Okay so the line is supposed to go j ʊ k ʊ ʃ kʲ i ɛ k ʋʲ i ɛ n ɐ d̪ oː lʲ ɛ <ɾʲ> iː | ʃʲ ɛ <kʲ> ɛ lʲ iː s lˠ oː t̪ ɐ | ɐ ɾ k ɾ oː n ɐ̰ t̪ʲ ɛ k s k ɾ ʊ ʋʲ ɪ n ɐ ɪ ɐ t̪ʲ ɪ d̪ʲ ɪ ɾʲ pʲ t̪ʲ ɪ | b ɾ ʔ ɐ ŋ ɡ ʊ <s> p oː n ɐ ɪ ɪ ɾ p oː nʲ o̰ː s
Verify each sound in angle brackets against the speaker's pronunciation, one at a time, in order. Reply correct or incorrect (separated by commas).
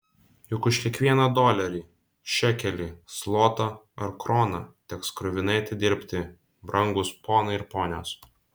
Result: correct, correct, correct